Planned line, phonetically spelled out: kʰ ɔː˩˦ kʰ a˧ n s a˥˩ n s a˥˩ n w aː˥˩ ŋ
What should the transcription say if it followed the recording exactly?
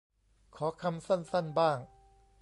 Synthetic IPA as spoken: kʰ ɔː˩˦ kʰ a˧ m s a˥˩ n s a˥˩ n b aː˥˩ ŋ